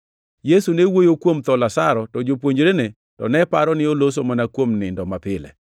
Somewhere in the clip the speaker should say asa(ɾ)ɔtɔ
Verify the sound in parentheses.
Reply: correct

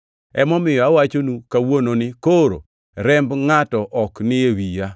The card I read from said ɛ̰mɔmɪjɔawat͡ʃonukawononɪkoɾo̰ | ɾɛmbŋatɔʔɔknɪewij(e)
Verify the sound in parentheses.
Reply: incorrect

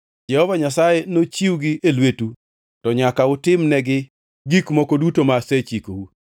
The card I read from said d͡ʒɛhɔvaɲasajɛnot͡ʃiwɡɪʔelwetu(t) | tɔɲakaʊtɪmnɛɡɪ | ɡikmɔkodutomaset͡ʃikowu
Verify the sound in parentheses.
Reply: incorrect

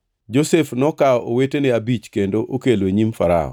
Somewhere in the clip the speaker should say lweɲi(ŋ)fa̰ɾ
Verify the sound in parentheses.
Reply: incorrect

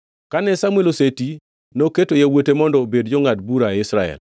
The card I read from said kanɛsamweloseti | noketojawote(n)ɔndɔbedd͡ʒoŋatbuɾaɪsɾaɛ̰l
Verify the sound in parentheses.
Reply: incorrect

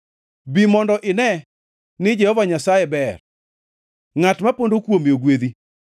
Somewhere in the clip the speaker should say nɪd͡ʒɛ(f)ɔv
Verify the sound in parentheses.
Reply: incorrect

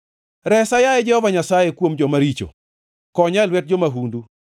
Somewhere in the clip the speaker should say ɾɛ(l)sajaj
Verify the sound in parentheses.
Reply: incorrect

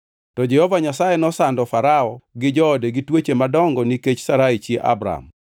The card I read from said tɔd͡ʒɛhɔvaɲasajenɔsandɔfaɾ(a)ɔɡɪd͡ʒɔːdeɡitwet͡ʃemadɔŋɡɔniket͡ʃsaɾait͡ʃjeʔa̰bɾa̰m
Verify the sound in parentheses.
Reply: correct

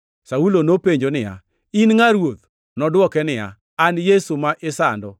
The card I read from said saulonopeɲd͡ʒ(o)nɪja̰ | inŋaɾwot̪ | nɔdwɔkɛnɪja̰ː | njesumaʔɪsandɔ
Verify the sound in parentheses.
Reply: correct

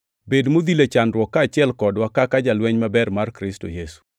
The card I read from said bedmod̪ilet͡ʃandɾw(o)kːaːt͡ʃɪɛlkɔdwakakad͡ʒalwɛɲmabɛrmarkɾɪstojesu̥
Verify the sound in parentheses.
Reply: incorrect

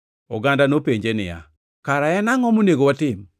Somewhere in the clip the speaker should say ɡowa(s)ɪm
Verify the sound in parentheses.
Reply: incorrect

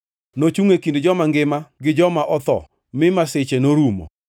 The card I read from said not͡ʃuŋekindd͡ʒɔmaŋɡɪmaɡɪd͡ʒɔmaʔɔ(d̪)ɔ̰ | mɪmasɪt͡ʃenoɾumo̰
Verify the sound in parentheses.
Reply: incorrect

